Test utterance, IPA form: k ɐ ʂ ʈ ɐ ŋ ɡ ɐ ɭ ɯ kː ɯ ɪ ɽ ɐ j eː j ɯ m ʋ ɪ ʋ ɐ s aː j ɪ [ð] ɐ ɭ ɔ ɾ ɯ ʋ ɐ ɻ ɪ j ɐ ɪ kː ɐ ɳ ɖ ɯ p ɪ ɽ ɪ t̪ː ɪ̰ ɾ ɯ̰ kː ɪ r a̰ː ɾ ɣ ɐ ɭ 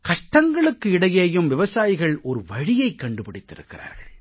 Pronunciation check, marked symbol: incorrect: ɣ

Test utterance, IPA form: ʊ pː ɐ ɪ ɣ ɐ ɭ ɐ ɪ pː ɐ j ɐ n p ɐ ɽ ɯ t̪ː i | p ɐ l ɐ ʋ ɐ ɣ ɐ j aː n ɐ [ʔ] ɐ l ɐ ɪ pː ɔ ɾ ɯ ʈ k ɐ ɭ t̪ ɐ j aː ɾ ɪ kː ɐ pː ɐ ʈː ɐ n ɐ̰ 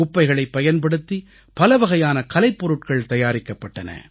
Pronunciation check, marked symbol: incorrect: k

